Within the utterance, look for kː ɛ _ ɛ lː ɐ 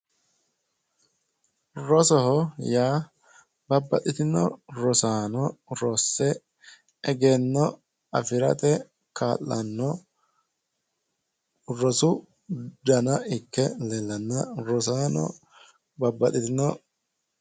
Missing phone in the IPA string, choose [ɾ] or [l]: l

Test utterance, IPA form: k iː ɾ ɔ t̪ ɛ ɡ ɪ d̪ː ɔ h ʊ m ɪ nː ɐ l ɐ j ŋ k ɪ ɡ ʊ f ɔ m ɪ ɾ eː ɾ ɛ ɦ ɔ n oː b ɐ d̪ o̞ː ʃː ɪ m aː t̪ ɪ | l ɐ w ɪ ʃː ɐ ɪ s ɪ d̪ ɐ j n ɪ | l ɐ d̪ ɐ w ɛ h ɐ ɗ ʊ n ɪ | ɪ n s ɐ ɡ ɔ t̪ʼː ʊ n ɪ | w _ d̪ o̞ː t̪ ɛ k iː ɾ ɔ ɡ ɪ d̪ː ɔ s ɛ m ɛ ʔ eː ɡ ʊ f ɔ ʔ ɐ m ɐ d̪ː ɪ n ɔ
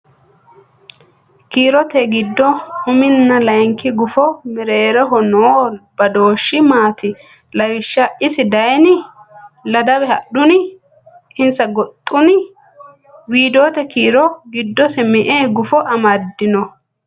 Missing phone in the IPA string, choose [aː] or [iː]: iː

